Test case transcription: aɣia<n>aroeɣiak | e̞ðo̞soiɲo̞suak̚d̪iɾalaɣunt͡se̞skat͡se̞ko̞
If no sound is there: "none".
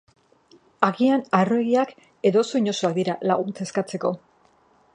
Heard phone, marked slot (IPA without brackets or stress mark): n